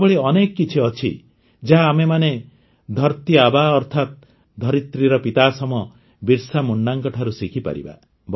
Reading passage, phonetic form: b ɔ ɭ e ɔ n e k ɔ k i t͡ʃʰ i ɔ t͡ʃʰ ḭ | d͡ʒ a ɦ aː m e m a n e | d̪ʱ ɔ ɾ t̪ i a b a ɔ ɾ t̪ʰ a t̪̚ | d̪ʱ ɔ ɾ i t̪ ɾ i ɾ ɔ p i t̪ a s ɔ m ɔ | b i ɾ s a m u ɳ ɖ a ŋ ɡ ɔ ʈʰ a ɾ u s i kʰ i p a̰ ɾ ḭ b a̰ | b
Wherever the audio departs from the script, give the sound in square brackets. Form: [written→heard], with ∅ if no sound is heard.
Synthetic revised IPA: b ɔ ɭ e ɔ n e k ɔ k i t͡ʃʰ i ɔ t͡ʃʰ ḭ | d͡ʒ a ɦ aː m e m a n e | d̪ʱ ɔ ɾ t̪ i a b a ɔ ɾ t̪ʰ a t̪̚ | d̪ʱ ɔ ɾ i t̪ ɾ i ɾ ɔ p i t̪ a s ɔ m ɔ | b i ɾ s a m u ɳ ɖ a ŋ [ɡ→k] ɔ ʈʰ a ɾ u s i kʰ i p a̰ ɾ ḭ b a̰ | b